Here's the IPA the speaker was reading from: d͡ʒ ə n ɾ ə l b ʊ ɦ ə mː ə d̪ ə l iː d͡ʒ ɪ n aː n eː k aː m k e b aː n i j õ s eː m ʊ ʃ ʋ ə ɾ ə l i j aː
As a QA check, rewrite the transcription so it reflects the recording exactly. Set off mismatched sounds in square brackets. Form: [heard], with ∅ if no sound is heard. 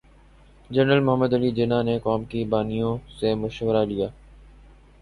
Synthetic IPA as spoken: d͡ʒ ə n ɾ ə l [m] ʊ ɦ ə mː ə d̪ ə l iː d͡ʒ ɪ n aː n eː k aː m k [i] b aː n i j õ s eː m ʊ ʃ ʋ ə ɾ [a] l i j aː